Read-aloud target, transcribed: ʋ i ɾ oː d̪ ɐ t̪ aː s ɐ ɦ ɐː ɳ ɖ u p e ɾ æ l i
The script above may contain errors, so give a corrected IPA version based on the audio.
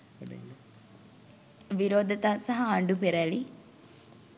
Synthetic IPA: ʋ i ɾ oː d̪ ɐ t̪ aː s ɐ ɦ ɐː ɳ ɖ u p e ɾ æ l i